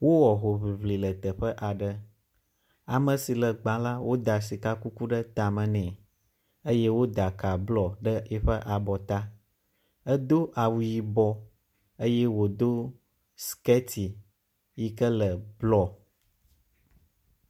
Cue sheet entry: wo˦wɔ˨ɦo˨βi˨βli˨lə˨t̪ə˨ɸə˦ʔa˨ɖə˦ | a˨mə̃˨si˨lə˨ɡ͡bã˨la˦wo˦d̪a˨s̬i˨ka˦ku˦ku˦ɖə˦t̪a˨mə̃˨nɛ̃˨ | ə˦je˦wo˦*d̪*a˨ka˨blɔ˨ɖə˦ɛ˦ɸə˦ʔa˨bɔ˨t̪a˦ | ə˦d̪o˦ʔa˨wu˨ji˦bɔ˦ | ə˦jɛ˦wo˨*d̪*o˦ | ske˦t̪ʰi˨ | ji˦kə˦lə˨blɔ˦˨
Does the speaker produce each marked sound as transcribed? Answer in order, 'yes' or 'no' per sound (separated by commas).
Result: yes, yes